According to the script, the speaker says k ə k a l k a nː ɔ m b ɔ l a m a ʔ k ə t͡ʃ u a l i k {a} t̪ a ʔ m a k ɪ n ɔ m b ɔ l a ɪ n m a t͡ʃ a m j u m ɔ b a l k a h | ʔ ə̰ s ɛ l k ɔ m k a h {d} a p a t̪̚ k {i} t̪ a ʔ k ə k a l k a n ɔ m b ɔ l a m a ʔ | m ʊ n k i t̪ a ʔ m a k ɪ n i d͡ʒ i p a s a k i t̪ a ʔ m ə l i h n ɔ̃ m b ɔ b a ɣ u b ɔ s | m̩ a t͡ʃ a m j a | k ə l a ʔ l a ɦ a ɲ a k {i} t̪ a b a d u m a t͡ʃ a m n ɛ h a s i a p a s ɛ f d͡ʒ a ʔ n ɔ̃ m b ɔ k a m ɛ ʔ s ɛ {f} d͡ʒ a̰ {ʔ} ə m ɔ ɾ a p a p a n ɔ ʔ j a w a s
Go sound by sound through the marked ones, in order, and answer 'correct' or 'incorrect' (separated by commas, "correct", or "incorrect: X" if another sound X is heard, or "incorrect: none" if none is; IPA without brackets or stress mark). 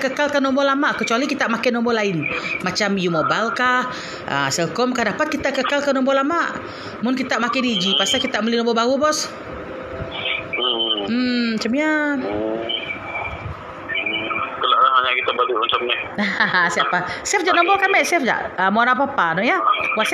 incorrect: i, correct, correct, correct, correct, correct